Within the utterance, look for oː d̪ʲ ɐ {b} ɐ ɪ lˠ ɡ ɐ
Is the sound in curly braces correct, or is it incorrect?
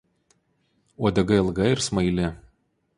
incorrect: ɡ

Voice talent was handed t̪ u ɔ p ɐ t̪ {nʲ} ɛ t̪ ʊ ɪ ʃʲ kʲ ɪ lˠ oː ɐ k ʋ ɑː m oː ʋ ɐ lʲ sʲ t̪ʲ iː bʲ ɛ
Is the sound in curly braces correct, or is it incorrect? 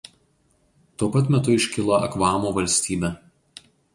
incorrect: mʲ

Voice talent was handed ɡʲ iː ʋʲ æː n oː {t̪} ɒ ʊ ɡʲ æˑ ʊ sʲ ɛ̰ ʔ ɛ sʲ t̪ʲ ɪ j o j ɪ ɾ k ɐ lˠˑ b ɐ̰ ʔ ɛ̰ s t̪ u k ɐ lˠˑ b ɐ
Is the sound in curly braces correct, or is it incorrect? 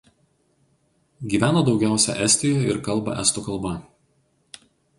incorrect: d̪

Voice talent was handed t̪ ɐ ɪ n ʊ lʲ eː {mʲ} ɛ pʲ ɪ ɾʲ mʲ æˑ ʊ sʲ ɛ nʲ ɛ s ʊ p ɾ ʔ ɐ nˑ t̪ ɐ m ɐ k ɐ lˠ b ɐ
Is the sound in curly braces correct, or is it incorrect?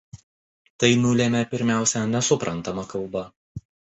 correct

